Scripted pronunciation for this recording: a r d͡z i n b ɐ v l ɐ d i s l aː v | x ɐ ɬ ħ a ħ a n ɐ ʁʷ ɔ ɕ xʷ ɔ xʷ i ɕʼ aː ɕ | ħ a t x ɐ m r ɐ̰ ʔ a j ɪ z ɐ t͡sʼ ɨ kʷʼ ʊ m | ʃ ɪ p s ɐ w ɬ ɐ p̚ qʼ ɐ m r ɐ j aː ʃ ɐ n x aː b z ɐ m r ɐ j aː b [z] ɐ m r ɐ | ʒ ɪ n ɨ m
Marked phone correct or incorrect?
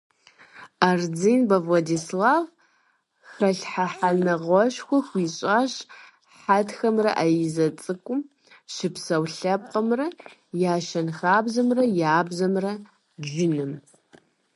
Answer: correct